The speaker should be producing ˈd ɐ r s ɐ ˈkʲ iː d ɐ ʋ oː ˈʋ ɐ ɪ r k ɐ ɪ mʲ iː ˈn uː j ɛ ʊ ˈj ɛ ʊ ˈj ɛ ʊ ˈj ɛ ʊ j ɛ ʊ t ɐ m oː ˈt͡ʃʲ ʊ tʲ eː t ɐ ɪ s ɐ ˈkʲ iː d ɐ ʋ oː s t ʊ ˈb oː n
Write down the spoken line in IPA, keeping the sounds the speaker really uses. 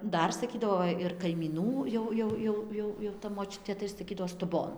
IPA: ˈd ɐ r s ɐ ˈkʲ iː d ɐ ʋ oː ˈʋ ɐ ɪ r k ɐ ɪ mʲ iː ˈn uː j ɛ ʊ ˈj ɛ ʊ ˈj ɛ ʊ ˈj ɛ ʊ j ɛ ʊ t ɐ m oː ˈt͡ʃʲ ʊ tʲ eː t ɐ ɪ s ɐ ˈkʲ iː d ɐ ʋ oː s t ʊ ˈb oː n